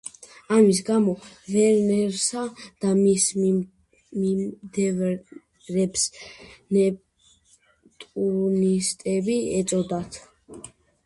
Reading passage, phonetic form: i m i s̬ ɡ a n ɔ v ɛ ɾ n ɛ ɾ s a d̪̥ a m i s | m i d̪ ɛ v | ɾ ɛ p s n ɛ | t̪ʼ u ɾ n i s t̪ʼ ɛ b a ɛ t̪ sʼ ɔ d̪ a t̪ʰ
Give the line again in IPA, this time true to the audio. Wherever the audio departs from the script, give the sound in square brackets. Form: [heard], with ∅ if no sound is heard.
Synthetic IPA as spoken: [a] m i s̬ ɡ a [m] ɔ v ɛ ɾ n ɛ ɾ s a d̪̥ a m i s | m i d̪ ɛ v | ɾ ɛ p s n ɛ | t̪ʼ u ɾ n i s t̪ʼ ɛ b [i] ɛ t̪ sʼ ɔ d̪ a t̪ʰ